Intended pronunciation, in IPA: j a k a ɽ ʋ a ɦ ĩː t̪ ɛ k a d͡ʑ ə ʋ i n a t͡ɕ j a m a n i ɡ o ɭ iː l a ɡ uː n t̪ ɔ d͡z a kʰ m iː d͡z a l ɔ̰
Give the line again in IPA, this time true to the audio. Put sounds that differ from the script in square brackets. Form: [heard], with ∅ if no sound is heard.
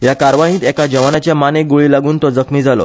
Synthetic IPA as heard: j a k a [ɾ] ʋ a ɦ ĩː t̪ ɛ k a d͡ʑ ə ʋ [a] n a t͡ɕ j a m a n [e] ɡ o ɭ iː l a ɡ uː n t̪ ɔ d͡z [ə] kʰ m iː d͡z a l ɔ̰